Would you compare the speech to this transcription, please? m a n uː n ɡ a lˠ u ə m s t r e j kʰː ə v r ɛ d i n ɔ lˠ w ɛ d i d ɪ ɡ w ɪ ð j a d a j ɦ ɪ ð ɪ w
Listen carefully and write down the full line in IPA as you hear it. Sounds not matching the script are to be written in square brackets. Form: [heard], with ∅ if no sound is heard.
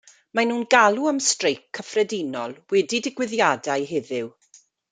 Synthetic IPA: m a n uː n ɡ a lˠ u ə m s t r e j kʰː ə [f] r ɛ d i n ɔ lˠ w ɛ d i d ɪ ɡ w ɪ ð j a d a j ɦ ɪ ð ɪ w